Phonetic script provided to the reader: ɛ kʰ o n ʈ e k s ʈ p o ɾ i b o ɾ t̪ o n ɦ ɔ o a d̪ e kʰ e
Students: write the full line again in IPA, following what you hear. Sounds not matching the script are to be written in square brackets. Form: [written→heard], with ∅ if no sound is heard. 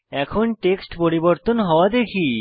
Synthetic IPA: ɛ kʰ o n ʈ e k s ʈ p o ɾ i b o ɾ t̪ o n ɦ ɔ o a d̪ e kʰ [e→i]